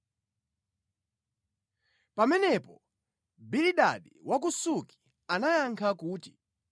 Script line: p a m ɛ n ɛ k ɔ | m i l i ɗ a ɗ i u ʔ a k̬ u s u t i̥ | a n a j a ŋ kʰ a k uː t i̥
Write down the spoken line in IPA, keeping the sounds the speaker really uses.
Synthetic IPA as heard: p a m ɛ n ɛ p ɔ | b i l i ɗ a ɗ i w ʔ a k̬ u s u k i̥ | a n a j a ŋ kʰ a k uː t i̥